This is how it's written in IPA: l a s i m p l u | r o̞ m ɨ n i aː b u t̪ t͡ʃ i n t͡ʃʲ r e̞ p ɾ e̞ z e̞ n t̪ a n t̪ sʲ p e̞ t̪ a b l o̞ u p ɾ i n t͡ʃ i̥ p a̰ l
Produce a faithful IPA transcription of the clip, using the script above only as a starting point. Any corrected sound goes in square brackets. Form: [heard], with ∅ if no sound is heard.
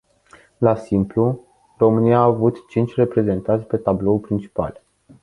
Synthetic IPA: l a s i m p l u | r o̞ m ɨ n i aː [v] u t̪ t͡ʃ i n t͡ʃʲ r e̞ p ɾ e̞ z e̞ n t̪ a n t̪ sʲ p e̞ t̪ a b l o̞ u p ɾ i n t͡ʃ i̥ p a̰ l